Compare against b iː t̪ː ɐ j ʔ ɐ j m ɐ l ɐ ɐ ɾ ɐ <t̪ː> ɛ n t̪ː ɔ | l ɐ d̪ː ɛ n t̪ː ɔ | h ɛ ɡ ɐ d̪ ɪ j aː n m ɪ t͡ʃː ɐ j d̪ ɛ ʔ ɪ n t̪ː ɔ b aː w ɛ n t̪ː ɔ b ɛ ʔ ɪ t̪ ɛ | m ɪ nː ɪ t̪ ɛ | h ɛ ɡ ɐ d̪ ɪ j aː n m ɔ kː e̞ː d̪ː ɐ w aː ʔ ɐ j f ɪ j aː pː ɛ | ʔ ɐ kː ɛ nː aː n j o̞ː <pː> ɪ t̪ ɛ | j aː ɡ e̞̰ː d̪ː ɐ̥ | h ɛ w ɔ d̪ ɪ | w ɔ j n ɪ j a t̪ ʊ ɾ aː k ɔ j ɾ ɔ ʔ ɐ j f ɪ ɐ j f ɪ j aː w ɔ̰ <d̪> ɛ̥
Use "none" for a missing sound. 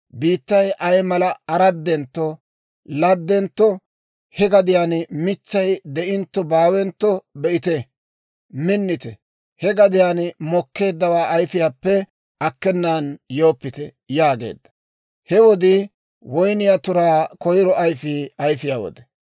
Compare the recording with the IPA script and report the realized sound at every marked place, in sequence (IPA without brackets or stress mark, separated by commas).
d̪ː, pː, d̪